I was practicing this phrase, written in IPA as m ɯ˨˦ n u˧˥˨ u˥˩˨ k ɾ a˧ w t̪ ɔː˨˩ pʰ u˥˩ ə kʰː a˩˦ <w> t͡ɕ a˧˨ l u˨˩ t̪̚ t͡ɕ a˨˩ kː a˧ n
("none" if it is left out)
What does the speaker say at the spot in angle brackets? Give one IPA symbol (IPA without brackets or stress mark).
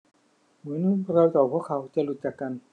w